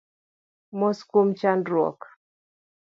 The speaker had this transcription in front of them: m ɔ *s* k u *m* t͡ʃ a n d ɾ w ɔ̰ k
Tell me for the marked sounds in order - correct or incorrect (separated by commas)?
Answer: correct, correct